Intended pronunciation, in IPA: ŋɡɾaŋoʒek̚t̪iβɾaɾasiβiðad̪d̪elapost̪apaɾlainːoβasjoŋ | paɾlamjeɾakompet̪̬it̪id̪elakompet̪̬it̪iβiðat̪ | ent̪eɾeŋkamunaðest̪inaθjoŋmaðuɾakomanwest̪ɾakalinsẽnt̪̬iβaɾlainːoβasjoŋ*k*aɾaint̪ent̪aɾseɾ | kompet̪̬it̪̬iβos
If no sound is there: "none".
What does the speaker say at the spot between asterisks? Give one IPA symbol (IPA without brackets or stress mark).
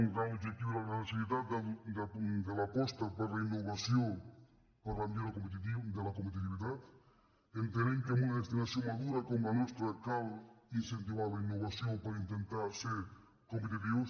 p